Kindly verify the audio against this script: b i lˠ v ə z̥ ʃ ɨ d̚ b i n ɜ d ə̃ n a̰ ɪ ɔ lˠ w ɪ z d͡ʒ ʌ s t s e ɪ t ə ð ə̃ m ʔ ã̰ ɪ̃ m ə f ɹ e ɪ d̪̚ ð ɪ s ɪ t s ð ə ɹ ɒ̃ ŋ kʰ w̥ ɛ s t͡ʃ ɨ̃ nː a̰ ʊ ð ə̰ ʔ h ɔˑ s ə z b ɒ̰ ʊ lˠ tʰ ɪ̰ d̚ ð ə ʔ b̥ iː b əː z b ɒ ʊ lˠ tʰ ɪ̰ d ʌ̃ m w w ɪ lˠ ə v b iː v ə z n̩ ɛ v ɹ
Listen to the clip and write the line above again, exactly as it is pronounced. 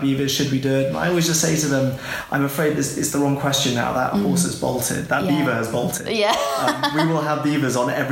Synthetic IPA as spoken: b i v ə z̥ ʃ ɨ d̚ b i d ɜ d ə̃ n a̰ ɪ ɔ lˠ w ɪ z d͡ʒ ʌ s t s e ɪ t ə ð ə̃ m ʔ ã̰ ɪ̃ m ə f ɹ e ɪ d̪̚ ð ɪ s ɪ t s ð ə ɹ ɒ̃ ŋ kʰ w̥ ɛ s t͡ʃ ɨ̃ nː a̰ ʊ ð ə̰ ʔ h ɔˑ s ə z b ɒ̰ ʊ lˠ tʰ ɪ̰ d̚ ð ə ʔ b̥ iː v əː z b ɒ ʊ lˠ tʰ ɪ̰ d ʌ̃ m w w ɪ lˠ ə v b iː v ə z n̩ ɛ v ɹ